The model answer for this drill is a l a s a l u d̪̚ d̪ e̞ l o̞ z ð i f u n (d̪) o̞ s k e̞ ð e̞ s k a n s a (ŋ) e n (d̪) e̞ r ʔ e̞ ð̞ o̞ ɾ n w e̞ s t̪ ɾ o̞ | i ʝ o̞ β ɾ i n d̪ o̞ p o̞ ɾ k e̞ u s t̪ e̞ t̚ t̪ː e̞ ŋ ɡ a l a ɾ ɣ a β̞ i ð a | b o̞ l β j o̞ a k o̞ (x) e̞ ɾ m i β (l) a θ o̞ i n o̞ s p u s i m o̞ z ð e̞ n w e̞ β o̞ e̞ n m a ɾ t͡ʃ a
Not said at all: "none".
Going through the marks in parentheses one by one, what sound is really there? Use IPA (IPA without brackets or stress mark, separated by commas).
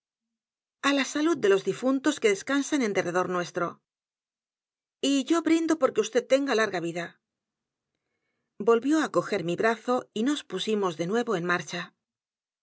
t̪, n, d̪, x, ɾ